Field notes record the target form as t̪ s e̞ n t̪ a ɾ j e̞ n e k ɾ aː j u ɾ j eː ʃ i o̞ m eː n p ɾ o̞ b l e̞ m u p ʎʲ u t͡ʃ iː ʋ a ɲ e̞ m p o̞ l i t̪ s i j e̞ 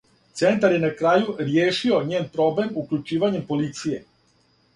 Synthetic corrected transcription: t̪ s e̞ n t̪ a ɾ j e̞ n a k ɾ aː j u ɾ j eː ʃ i o̞ ɲ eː n p ɾ o̞ b l e̞ m u k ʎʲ u t͡ʃ iː ʋ a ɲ e̞ m p o̞ l i t̪ s i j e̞